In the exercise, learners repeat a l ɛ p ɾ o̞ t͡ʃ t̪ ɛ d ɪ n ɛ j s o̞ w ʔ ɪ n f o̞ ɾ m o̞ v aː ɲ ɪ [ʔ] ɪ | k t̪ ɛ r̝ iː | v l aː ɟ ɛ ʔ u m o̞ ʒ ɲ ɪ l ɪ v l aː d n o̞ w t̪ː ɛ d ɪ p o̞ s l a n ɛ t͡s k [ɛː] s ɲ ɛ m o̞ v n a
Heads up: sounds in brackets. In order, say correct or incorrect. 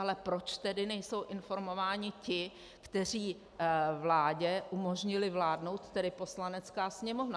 incorrect: c, incorrect: aː

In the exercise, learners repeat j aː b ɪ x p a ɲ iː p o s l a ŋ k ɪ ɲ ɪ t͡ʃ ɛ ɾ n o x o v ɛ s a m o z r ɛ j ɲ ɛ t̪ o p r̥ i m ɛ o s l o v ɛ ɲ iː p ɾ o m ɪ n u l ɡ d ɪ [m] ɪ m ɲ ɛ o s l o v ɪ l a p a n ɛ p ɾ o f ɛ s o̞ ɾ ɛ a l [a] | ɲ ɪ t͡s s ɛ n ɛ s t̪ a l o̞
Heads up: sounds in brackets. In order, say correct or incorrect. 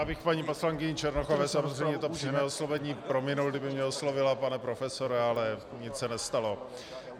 incorrect: b, incorrect: ɛ

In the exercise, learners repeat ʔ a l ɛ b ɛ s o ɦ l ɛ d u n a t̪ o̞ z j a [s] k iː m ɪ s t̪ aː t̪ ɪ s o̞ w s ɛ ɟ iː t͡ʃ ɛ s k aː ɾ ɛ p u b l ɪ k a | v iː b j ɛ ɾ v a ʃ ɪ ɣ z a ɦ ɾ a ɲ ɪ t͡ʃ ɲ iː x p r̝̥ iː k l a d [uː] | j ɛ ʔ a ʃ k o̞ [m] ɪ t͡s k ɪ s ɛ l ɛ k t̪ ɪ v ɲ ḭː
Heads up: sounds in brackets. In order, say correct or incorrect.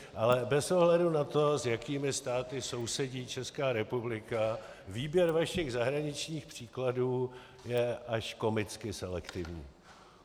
incorrect: none, correct, correct

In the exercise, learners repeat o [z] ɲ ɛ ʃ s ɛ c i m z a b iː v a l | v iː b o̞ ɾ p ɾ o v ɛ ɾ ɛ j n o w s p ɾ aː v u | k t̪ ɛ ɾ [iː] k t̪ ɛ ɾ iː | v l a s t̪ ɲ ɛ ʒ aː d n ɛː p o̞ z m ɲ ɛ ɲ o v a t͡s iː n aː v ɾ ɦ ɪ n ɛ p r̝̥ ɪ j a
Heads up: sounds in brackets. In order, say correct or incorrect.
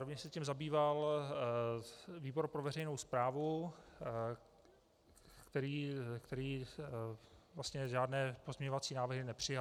incorrect: v, correct

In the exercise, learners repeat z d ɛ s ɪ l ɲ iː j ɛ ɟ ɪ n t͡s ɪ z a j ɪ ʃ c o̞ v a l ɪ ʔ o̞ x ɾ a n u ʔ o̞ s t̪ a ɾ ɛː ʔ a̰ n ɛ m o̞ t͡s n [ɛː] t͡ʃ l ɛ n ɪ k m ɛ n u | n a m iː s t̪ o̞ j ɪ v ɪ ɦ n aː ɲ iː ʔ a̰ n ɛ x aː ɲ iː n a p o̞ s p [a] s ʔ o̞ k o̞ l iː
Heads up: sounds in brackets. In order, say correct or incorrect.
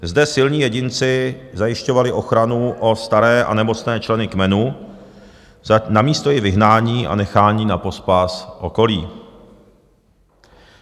correct, correct

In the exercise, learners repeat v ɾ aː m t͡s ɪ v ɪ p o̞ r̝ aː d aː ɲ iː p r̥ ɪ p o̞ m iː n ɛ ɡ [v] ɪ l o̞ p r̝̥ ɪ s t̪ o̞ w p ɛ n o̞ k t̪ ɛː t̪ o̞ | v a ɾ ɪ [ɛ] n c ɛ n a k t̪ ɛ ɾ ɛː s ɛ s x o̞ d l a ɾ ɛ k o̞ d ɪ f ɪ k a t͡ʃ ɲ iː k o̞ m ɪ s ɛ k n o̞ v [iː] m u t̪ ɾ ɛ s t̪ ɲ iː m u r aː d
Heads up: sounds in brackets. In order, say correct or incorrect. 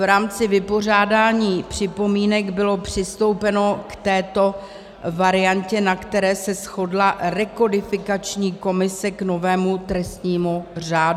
incorrect: b, incorrect: a, incorrect: ɛː

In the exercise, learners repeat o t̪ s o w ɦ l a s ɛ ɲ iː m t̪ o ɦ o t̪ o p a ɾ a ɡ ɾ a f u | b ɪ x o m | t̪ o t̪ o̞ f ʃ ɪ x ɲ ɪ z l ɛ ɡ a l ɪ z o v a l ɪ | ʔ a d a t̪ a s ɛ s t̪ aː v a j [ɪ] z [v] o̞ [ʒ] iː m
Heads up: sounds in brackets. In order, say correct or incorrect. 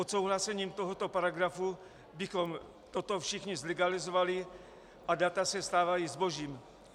incorrect: i, incorrect: b, correct

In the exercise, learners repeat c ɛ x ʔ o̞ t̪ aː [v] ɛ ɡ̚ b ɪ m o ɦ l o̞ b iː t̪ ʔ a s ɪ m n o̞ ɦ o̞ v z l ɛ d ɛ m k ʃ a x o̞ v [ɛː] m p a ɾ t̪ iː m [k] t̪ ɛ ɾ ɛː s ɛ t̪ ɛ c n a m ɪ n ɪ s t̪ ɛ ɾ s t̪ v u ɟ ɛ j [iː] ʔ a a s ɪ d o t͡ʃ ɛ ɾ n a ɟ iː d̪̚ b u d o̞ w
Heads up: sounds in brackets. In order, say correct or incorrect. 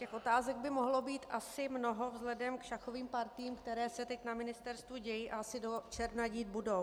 incorrect: z, incorrect: iː, correct, correct

